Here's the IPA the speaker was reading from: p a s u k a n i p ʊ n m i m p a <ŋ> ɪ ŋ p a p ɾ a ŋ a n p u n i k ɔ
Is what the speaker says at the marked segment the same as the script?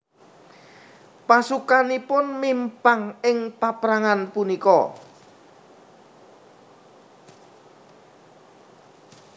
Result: yes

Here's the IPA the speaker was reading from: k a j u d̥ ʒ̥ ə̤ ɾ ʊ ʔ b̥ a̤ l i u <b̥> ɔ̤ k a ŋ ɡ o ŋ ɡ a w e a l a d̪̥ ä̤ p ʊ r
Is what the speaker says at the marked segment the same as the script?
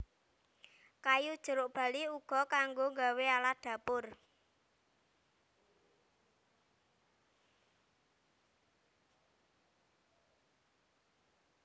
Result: no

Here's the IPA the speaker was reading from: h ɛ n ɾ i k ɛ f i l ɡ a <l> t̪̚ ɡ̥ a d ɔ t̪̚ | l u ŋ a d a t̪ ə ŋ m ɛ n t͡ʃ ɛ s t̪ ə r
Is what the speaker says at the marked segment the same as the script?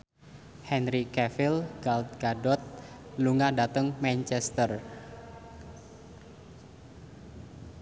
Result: yes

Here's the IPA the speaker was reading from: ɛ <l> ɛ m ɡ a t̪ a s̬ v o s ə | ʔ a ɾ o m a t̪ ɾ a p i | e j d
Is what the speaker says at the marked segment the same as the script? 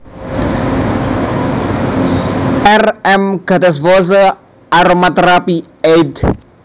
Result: no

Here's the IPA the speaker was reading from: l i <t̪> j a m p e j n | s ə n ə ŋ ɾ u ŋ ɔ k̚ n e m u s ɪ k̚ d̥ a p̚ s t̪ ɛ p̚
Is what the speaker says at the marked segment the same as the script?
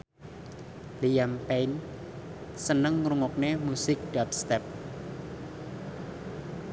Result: no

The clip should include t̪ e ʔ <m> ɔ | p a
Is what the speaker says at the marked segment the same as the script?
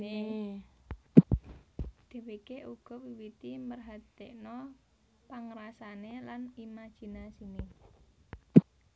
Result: no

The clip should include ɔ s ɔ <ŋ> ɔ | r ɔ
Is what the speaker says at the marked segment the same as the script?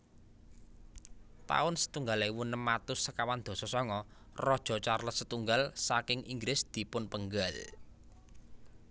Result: yes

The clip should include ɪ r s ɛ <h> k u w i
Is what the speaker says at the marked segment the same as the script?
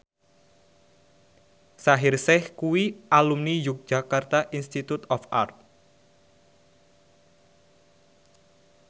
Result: yes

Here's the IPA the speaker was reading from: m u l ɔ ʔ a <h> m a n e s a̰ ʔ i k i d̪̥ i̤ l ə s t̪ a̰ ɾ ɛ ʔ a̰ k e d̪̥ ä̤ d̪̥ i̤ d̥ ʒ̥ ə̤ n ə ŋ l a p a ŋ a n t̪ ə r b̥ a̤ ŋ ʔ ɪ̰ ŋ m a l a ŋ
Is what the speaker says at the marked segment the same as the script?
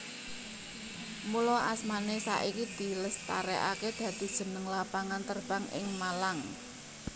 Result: no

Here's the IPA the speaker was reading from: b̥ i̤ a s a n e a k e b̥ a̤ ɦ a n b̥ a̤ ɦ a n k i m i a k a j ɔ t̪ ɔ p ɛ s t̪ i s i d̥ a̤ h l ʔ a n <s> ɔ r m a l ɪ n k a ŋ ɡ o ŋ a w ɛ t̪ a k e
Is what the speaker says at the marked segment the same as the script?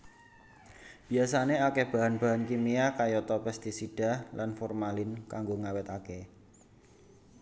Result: no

